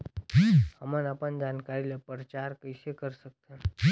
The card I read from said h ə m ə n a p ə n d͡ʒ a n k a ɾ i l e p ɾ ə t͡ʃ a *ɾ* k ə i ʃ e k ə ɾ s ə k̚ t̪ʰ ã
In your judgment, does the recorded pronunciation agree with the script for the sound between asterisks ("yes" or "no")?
yes